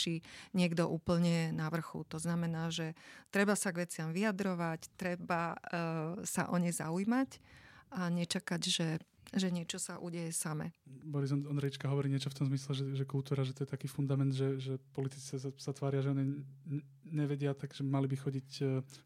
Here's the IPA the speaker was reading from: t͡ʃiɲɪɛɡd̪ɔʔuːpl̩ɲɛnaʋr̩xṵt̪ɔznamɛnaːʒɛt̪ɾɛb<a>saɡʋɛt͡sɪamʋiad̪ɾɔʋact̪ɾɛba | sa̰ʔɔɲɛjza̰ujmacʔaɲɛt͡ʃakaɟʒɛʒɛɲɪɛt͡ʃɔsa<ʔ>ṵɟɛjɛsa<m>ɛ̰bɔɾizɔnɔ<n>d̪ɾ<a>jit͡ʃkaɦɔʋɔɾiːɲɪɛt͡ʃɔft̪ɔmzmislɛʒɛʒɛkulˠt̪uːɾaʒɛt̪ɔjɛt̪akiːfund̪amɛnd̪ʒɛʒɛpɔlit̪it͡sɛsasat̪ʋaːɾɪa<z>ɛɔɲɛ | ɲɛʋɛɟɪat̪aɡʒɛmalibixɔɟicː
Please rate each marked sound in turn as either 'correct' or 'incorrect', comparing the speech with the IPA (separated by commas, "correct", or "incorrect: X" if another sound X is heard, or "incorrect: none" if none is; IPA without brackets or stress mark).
correct, correct, correct, correct, incorrect: ɛ, incorrect: ʒ